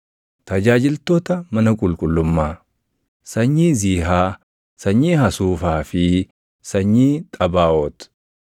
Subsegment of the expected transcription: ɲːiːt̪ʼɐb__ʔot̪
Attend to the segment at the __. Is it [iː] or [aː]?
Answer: aː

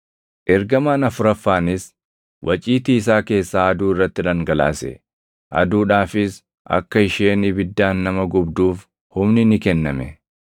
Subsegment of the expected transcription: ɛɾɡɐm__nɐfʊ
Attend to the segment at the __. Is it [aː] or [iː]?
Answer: aː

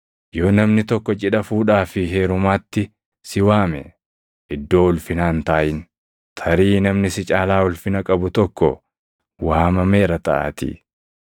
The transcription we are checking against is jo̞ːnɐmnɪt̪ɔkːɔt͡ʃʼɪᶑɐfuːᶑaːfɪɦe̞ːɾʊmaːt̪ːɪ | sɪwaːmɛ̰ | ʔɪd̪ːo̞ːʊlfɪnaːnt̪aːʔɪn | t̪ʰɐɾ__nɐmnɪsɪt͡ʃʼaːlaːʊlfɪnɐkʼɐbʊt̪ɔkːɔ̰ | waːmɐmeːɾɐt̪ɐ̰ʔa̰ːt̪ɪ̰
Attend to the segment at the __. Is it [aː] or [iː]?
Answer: iː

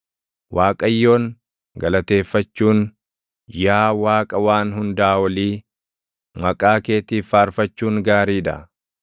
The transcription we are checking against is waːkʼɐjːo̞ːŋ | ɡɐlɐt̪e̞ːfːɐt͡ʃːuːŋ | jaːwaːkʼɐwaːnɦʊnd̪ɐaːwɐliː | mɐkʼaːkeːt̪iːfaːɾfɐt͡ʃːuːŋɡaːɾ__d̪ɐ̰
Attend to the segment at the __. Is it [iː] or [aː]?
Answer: iː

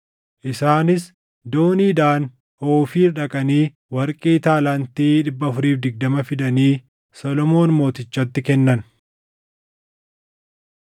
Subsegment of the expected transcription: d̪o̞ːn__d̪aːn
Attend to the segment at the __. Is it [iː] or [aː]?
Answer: iː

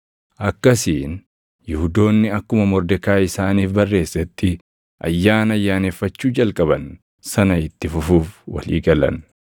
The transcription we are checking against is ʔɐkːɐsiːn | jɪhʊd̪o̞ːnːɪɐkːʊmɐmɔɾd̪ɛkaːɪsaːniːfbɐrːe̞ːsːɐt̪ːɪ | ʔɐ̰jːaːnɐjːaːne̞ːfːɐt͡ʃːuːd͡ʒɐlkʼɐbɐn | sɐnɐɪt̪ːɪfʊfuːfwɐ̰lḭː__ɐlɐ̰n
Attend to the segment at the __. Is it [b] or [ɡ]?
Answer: ɡ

